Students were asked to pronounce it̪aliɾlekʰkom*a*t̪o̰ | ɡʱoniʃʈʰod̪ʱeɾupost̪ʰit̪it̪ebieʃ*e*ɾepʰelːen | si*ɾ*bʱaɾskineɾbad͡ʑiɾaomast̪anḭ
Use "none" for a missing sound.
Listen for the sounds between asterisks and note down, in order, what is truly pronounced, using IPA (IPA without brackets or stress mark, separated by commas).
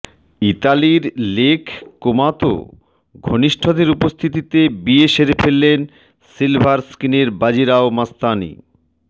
a, e, l